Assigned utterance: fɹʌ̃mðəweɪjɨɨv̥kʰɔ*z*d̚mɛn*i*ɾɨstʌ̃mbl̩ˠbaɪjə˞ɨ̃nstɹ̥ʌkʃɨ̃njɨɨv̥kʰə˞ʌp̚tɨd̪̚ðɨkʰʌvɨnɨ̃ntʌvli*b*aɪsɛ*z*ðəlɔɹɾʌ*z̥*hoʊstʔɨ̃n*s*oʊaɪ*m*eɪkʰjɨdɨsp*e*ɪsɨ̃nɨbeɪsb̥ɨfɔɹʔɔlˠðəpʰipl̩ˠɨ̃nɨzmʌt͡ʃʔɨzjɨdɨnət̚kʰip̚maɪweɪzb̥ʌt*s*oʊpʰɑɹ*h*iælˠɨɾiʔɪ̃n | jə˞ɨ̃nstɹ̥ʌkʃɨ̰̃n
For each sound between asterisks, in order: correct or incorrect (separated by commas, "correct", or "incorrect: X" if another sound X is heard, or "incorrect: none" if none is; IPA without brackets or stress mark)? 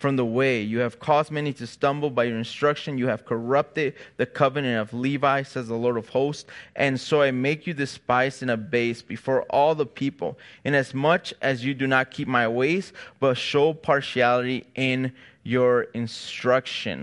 correct, correct, incorrect: v, correct, incorrect: v̥, correct, correct, incorrect: a, incorrect: ʃ, incorrect: ʃ